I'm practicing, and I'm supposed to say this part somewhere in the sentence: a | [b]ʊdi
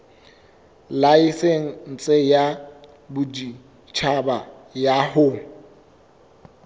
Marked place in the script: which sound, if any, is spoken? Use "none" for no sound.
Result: b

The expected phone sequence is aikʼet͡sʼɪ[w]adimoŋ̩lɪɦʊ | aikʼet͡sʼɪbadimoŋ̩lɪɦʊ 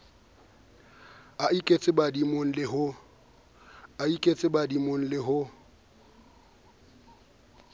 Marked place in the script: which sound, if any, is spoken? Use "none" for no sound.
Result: b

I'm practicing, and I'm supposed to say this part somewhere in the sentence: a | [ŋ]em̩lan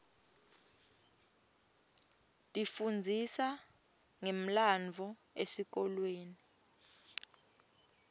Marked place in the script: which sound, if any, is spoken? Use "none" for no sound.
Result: ŋ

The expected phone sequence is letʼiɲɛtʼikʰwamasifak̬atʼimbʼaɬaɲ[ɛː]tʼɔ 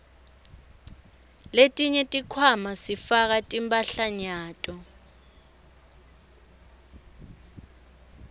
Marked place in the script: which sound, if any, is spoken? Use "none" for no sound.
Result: aː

